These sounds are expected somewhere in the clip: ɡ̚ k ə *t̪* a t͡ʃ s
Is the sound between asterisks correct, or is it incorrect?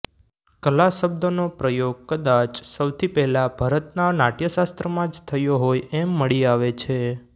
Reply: incorrect